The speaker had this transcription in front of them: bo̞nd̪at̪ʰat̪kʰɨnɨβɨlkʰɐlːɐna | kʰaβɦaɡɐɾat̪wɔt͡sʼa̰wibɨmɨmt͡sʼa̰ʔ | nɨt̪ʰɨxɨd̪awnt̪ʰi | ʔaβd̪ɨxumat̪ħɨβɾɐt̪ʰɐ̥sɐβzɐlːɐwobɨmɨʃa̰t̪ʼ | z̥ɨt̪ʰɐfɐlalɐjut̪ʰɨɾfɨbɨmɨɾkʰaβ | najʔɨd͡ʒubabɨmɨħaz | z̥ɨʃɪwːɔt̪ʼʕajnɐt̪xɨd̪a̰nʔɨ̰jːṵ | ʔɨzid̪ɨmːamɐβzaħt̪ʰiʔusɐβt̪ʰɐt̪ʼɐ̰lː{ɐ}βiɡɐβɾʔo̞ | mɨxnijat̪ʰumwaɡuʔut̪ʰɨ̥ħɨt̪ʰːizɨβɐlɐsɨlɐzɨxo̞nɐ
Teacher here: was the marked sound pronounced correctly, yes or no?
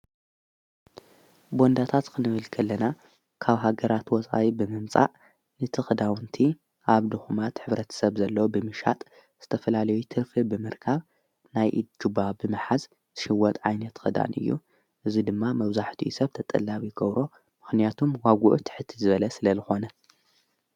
no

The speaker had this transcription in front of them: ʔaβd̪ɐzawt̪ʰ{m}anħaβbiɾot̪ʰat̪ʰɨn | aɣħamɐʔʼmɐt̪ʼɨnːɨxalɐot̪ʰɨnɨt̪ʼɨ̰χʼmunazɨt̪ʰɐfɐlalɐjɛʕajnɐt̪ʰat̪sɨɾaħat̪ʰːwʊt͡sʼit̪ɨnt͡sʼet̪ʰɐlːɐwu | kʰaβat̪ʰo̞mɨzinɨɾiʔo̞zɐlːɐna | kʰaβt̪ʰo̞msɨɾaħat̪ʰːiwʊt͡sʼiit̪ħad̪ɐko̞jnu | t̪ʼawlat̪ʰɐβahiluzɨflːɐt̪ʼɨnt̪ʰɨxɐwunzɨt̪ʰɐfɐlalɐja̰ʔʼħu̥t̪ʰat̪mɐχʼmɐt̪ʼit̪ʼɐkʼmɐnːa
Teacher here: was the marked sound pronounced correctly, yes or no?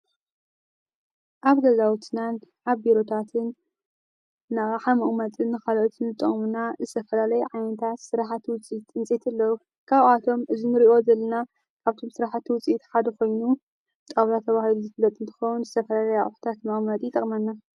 no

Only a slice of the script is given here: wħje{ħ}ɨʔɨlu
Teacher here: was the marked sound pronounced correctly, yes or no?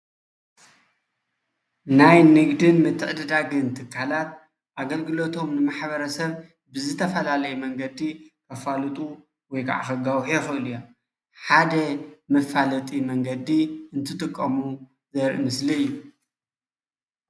no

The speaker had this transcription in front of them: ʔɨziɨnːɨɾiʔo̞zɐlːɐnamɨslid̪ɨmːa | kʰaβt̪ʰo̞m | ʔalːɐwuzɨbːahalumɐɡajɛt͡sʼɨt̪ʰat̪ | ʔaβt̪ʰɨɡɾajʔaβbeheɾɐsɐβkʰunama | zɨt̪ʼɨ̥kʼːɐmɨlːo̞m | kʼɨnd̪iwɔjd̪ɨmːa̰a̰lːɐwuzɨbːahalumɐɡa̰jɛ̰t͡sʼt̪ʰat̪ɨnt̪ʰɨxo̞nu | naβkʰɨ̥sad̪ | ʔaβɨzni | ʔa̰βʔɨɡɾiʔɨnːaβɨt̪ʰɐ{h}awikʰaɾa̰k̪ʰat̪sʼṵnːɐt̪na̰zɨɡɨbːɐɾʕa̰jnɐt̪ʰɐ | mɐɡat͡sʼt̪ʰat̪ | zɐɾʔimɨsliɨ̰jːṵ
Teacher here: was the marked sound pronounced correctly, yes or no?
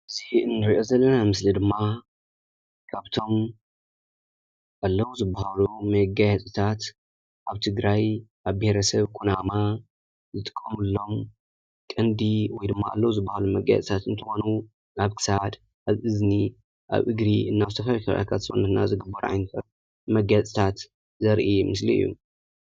no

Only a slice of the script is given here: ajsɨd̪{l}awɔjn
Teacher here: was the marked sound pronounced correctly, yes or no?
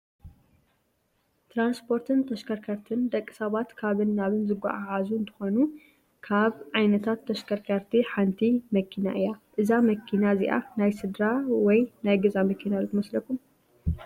no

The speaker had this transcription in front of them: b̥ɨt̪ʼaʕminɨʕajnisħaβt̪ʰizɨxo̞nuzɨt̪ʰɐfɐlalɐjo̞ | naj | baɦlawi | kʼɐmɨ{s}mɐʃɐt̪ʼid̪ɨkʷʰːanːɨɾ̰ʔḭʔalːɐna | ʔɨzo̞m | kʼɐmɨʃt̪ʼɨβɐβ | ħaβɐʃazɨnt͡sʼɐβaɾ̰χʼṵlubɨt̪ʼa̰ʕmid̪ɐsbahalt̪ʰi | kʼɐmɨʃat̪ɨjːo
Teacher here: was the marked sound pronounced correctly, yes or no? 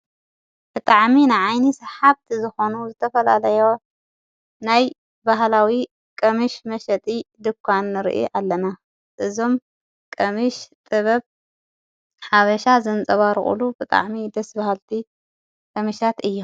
no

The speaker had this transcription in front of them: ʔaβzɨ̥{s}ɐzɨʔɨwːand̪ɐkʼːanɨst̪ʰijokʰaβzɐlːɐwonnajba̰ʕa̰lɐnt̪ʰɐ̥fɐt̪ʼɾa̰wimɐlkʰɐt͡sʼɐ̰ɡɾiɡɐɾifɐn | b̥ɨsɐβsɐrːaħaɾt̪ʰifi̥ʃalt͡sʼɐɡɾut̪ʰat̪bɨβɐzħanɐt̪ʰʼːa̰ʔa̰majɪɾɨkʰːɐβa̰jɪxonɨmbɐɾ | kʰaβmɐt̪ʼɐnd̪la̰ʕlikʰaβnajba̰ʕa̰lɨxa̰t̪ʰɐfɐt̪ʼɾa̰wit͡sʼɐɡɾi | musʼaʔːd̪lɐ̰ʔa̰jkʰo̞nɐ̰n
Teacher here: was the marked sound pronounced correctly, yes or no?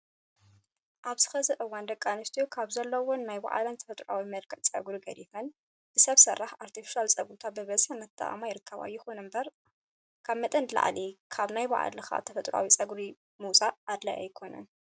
no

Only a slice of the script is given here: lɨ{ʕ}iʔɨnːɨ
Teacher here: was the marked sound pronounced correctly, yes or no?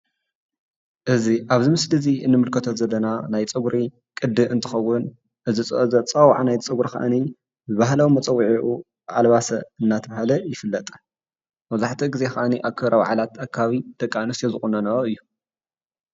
no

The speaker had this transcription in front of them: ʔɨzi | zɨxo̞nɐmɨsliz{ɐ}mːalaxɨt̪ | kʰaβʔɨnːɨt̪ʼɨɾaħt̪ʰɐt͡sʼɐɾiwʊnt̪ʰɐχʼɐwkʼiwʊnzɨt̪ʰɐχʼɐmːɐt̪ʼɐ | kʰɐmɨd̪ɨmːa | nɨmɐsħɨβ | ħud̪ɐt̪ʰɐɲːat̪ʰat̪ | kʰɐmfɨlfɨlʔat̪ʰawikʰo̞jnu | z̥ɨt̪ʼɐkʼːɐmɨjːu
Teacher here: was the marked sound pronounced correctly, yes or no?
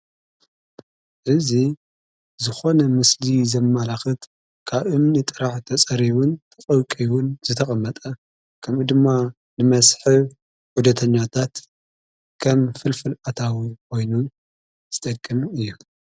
yes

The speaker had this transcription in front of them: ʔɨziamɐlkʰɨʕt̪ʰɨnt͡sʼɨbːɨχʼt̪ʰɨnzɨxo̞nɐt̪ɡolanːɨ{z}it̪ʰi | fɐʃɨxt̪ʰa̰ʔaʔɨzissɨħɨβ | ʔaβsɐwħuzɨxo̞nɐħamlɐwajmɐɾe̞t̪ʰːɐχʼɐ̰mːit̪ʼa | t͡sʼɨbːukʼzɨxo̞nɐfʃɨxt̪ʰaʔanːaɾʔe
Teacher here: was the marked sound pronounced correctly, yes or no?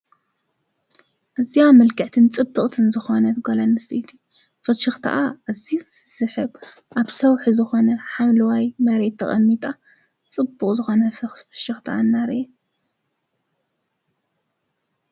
no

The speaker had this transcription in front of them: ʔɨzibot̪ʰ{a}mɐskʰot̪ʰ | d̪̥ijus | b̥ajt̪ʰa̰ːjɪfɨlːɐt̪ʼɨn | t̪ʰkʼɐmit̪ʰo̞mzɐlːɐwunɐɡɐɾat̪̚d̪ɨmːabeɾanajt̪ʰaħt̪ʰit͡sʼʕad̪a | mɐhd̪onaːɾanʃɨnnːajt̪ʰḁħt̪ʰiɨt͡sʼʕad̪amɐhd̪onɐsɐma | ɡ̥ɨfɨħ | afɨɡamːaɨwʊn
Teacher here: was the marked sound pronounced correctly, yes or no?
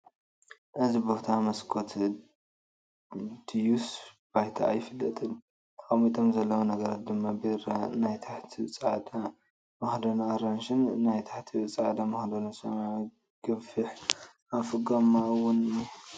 yes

